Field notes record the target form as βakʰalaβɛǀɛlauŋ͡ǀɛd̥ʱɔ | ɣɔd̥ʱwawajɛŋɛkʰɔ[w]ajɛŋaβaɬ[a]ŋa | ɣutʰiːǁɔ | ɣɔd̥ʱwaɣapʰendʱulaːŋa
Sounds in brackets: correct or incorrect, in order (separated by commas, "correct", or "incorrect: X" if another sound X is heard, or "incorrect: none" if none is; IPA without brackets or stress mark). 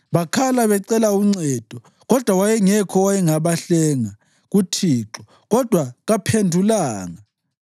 correct, incorrect: ɛ